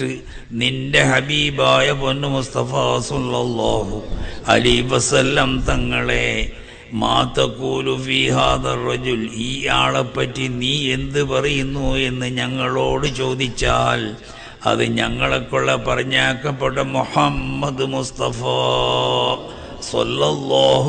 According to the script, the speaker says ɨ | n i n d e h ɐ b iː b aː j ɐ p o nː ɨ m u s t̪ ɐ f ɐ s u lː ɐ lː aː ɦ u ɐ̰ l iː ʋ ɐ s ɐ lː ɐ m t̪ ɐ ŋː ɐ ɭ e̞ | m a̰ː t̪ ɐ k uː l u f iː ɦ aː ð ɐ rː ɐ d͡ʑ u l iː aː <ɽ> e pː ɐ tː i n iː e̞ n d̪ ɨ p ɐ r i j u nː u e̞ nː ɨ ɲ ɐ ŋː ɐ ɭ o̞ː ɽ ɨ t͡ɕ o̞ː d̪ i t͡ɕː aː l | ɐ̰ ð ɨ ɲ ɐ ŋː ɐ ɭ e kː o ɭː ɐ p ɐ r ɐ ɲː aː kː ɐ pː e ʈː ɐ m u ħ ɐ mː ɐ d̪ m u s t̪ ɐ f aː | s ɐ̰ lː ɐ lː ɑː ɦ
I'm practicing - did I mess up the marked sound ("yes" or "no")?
yes